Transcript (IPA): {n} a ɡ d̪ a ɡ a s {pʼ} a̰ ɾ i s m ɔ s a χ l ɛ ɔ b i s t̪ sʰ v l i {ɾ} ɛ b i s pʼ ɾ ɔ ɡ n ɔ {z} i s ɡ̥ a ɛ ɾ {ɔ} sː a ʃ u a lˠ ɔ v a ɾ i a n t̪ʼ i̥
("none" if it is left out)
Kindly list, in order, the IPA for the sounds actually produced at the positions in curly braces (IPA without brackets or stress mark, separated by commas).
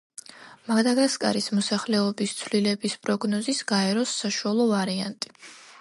m, kʼ, l, z, ɔ